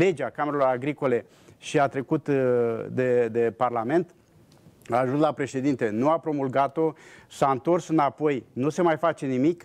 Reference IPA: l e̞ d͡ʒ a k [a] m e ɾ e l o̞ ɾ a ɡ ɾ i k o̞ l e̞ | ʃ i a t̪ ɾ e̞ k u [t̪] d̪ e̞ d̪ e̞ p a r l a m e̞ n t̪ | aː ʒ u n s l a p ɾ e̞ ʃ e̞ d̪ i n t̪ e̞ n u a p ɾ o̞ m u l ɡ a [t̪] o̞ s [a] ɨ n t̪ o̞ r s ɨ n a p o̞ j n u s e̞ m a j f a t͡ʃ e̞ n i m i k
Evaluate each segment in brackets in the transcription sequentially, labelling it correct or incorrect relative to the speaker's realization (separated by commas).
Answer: correct, correct, correct, correct